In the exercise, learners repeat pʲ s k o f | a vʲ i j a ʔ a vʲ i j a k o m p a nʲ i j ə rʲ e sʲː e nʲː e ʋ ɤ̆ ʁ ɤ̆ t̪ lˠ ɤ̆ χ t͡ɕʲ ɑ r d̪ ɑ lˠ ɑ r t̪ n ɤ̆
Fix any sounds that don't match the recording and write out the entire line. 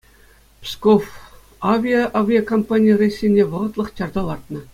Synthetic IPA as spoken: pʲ s k o f | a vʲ i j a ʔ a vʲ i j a k o m p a nʲ i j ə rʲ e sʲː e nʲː e ʋ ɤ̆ ʁ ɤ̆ t̪ lˠ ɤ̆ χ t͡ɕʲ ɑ r d̪ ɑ lˠ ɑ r t̪ n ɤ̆